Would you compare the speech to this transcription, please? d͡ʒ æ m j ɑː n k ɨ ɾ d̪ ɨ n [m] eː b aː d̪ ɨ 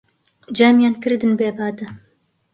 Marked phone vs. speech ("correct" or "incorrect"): incorrect